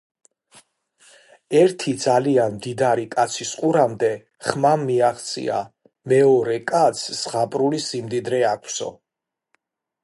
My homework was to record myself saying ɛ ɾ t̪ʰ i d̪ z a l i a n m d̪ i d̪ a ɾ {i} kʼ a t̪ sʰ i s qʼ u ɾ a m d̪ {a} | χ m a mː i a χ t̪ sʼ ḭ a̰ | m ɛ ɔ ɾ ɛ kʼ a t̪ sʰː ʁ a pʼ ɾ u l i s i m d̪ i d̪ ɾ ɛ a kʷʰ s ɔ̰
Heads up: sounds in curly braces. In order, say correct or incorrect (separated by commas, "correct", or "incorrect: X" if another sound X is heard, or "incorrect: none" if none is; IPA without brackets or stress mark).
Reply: correct, incorrect: ɛ